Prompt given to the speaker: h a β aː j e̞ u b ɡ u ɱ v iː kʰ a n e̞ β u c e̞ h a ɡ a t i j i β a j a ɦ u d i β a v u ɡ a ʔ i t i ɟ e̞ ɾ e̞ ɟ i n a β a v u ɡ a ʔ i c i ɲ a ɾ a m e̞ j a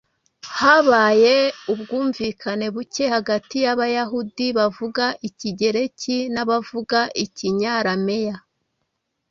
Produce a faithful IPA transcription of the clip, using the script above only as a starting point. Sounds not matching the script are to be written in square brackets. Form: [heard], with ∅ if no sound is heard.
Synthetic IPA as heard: h a β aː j e̞ u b ɡ [uː] ɱ v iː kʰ a n e̞ β u c e̞ h a ɡ a t i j [a] β a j a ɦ u d i β a v u ɡ a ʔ i [c] i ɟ e̞ ɾ e̞ [c] i n a β a v u ɡ a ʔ i c i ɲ a ɾ a m e̞ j a